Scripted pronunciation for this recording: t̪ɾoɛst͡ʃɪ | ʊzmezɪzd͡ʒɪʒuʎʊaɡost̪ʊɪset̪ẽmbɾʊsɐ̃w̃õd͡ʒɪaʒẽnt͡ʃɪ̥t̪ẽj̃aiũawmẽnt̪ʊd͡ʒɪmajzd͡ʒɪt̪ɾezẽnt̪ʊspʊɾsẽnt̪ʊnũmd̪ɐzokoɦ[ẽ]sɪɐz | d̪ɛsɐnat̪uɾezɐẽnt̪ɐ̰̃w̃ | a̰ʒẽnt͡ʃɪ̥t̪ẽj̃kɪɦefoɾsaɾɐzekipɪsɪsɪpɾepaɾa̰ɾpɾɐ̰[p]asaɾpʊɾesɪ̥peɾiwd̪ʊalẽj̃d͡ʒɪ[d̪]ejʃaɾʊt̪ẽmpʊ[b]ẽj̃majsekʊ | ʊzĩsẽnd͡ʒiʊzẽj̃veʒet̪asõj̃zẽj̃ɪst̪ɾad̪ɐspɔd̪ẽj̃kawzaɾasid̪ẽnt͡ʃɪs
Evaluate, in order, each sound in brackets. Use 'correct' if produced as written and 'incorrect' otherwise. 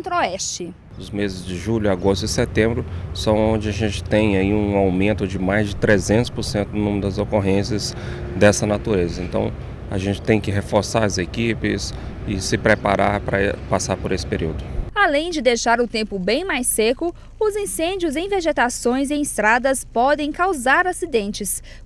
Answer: correct, correct, correct, correct

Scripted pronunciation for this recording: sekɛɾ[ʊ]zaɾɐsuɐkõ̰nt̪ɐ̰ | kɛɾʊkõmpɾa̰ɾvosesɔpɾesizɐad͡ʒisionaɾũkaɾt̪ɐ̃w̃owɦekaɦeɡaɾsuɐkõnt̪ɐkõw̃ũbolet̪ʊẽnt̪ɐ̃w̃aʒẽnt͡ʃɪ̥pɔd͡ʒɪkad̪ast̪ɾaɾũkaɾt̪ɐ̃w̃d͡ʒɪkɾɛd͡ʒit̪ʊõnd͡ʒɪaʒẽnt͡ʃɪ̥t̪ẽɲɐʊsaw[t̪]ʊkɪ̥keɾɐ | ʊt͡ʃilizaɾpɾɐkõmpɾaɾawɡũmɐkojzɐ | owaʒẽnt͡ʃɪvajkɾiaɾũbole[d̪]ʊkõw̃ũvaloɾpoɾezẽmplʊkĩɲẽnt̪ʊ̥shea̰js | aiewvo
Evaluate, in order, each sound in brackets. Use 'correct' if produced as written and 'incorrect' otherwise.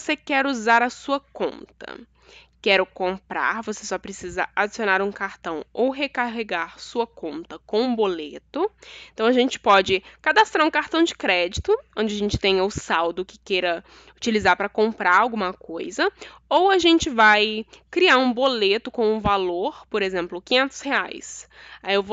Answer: incorrect: u, incorrect: d̪, incorrect: t̪

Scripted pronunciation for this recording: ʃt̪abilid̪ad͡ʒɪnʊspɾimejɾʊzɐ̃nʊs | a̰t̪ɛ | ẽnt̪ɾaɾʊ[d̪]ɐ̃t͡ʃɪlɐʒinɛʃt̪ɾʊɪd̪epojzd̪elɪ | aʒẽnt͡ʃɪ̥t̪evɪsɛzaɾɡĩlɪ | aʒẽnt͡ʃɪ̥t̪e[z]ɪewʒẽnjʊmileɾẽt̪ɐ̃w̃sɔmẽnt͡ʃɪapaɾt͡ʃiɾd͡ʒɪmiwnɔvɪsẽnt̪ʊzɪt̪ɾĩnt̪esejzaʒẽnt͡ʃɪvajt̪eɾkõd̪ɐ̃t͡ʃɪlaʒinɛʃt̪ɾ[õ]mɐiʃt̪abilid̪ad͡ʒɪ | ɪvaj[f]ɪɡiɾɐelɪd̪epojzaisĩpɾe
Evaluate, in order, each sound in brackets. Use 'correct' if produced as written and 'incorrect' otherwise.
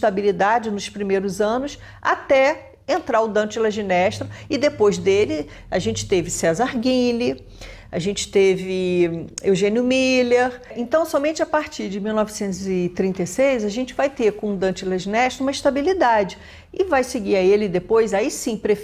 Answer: correct, incorrect: v, incorrect: ũ, incorrect: s

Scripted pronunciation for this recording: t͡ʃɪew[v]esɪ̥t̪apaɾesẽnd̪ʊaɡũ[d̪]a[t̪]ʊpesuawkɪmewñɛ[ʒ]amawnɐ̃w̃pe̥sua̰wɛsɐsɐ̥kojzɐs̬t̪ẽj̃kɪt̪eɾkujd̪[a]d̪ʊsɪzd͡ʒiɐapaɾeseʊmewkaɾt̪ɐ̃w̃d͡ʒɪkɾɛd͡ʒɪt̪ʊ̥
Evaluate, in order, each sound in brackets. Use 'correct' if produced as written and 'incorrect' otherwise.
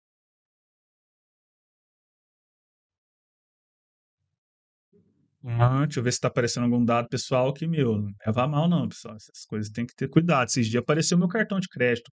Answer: correct, correct, incorrect: d̪, incorrect: v, correct

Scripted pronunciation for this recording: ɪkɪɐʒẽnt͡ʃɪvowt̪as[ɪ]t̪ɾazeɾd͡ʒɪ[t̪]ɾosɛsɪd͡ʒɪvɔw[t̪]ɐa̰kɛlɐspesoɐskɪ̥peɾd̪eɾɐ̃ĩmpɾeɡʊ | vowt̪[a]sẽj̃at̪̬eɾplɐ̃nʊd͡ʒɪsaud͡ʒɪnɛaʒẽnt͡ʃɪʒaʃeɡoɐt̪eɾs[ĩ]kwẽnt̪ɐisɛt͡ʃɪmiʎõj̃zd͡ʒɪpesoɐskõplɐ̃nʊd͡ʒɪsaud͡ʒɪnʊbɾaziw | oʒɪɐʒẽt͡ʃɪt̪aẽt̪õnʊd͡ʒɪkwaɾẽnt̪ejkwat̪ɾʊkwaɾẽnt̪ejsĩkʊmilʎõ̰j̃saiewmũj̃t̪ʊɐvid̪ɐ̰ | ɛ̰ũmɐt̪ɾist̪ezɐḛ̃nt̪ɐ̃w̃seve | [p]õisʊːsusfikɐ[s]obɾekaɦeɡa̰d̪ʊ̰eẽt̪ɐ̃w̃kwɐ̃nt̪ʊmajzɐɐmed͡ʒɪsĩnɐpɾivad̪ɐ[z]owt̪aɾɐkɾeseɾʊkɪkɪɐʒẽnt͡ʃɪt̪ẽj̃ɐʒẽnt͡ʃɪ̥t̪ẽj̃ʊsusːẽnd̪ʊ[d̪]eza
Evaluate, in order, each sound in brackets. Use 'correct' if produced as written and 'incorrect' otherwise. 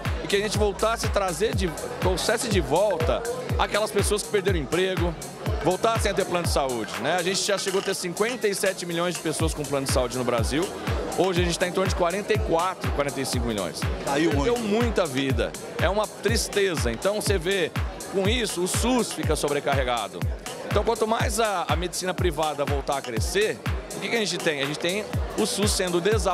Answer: correct, correct, correct, correct, correct, incorrect: k, correct, incorrect: v, correct

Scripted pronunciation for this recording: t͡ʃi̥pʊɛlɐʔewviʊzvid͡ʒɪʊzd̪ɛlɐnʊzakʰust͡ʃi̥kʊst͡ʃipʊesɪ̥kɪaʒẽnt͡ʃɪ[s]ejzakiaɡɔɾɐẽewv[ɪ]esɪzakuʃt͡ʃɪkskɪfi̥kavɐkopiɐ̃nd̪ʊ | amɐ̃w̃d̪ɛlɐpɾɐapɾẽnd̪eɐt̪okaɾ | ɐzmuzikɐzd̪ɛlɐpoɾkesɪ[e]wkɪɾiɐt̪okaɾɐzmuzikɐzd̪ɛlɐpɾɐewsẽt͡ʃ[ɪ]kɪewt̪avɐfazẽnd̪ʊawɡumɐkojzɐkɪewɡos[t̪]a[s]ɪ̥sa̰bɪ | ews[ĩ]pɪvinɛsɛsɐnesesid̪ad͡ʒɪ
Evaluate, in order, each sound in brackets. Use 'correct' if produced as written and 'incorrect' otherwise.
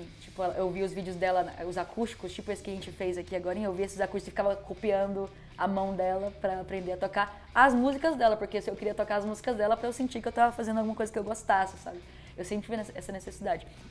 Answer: incorrect: f, incorrect: i, correct, incorrect: i, correct, correct, incorrect: ẽ

